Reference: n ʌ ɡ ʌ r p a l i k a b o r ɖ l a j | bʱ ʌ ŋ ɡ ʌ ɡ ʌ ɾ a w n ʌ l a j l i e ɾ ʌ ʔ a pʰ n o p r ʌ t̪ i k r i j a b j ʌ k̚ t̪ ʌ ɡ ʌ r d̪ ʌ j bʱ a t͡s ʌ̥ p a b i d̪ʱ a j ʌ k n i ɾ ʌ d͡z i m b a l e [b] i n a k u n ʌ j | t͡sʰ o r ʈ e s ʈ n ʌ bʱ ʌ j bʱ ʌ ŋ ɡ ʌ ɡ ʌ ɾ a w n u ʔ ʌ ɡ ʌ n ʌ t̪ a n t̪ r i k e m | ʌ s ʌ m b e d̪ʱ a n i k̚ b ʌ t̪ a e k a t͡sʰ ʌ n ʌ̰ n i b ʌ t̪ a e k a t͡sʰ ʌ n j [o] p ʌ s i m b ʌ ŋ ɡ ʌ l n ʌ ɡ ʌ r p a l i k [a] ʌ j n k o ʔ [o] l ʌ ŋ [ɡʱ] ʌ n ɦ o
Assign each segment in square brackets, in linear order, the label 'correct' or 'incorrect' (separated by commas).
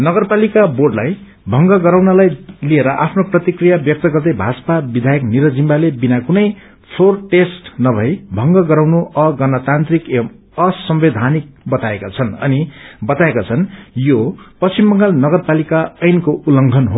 correct, correct, correct, incorrect, correct